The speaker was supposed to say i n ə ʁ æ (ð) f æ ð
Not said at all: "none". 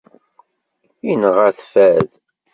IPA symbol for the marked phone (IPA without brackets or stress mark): θ